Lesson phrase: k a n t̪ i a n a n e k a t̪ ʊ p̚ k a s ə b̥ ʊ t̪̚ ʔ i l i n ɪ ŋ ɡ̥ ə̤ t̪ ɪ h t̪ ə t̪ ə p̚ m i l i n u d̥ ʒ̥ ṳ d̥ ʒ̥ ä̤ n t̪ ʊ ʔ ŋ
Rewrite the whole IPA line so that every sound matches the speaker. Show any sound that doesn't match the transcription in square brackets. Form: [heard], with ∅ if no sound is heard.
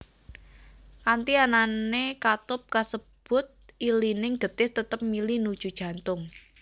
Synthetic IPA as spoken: k a n t̪ i a n a n e k a t̪ ʊ p̚ k a s ə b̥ ʊ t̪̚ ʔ i l i n ɪ ŋ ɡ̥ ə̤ t̪ ɪ h t̪ ə t̪ ə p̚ m i l i n u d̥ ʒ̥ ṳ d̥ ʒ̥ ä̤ n t̪ ʊ [∅] ŋ